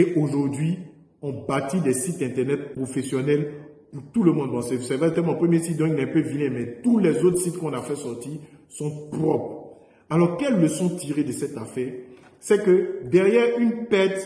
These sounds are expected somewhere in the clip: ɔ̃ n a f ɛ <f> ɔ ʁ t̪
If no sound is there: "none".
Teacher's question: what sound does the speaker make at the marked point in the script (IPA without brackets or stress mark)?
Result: s